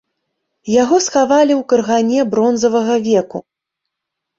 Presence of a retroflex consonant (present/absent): absent